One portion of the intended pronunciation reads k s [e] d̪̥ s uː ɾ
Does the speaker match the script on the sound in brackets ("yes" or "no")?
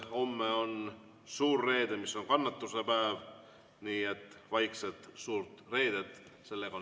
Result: yes